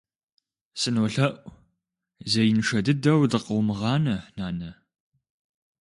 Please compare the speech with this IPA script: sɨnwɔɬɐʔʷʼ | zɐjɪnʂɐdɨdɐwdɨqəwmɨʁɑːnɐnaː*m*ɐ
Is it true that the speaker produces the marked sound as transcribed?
no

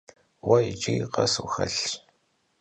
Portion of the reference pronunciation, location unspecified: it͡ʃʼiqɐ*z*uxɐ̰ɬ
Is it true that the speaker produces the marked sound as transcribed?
no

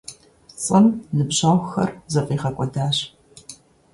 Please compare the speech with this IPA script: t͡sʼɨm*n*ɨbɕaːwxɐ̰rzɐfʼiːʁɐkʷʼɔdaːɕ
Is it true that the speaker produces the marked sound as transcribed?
yes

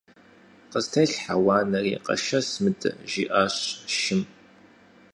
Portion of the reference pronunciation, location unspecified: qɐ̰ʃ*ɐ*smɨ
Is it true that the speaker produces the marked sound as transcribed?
yes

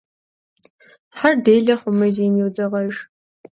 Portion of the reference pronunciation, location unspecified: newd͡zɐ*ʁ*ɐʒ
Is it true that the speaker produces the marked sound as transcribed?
yes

